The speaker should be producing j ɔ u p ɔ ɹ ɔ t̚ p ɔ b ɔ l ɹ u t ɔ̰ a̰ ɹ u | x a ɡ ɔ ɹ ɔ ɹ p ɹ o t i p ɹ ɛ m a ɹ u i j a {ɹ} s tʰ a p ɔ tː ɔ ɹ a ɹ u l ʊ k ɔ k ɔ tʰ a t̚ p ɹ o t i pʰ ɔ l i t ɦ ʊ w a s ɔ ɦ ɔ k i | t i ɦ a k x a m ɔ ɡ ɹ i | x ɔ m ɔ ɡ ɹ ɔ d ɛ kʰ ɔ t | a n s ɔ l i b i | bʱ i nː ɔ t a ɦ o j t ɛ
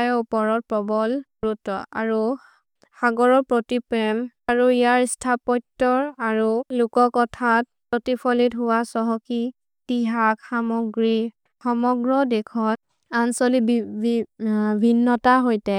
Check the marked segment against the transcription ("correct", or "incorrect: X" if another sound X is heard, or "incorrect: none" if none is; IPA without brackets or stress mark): correct